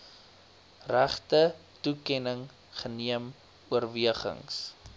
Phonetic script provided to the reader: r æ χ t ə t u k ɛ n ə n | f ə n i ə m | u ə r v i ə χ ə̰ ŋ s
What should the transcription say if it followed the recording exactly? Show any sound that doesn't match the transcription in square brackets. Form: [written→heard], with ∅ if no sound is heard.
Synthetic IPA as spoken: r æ χ t ə t u k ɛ n ə [n→ŋ] | [f→χ] ə n i ə m | u ə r v i ə χ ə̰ ŋ s